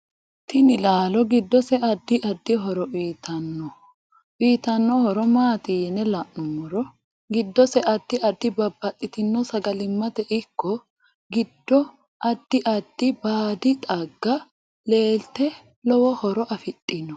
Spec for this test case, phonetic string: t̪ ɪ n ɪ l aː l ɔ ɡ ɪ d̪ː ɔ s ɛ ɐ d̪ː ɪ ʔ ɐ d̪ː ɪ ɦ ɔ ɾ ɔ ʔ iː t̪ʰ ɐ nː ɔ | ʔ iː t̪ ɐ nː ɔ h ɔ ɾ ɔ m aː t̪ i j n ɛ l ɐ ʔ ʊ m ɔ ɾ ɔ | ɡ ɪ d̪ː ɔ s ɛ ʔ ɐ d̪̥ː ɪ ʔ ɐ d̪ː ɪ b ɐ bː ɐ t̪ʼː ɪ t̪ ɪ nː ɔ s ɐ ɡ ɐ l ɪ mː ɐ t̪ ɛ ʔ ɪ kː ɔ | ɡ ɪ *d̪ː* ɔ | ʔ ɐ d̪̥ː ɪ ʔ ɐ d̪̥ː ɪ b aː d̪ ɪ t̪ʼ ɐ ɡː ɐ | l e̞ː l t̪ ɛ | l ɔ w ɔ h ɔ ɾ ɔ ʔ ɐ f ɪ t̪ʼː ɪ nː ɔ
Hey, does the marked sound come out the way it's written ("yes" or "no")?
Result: yes